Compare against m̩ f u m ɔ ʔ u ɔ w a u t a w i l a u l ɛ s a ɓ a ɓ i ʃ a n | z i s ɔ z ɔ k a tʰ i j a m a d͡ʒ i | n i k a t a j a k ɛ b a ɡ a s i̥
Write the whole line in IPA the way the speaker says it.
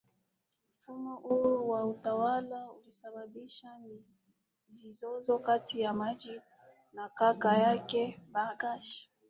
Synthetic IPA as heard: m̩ f u m ɔ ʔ u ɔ w a u t a w a l a u l i s a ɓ a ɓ i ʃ a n | z i z ɔ z ɔ k a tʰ i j a m a d͡ʒ i | n a k a k a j a k ɛ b a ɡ a ʃ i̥